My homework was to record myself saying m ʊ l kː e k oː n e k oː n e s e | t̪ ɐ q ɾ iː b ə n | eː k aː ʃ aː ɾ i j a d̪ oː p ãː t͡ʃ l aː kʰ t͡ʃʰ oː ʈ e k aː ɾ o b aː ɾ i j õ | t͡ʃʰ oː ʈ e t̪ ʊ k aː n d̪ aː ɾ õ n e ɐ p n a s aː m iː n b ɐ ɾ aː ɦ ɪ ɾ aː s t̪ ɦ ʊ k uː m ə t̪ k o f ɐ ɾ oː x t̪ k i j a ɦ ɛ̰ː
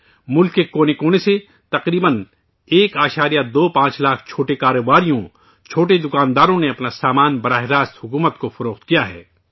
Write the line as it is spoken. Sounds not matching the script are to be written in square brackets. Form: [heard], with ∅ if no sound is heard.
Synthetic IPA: m ʊ l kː e k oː n e k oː n e s e | t̪ ɐ q ɾ iː b ə n | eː k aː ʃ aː ɾ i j a d̪ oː p ãː t͡ʃ l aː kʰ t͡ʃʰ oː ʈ e k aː ɾ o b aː ɾ i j õ | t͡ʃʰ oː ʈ e [d̪] ʊ k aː n d̪ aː ɾ õ n e ɐ p n a s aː m [aː] n b ɐ ɾ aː ɦ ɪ ɾ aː s t̪ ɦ ʊ k uː m ə t̪ k o f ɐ ɾ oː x t̪ k i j a ɦ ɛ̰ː